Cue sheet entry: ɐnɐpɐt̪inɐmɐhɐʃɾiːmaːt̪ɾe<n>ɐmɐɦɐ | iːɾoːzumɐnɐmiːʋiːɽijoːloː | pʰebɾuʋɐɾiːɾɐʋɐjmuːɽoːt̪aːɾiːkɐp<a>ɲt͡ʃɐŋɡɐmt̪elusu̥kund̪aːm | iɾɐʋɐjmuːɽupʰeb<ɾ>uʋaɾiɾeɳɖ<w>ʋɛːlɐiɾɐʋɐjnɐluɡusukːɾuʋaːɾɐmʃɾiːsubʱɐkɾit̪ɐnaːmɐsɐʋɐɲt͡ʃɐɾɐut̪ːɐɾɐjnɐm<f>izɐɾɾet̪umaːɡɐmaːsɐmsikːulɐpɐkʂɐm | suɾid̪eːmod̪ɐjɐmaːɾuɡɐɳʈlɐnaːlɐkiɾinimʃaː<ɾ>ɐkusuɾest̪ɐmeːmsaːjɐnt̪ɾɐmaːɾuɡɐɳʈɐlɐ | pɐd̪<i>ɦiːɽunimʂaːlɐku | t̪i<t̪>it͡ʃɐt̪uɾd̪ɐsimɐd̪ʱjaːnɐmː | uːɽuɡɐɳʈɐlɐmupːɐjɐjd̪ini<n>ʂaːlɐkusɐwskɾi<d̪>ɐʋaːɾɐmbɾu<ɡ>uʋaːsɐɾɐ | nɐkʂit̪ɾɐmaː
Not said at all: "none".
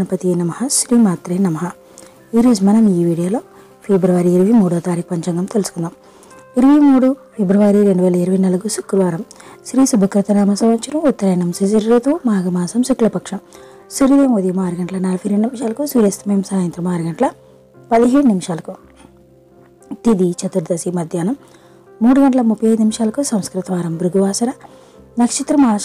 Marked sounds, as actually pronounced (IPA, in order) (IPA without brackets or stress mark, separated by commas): n, ɐ, ɾ, u, s, l, i, d̪, m, t̪, ɡ